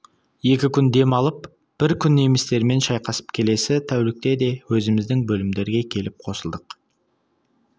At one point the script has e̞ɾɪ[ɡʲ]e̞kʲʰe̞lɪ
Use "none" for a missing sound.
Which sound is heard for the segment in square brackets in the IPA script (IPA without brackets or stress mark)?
ɡʲ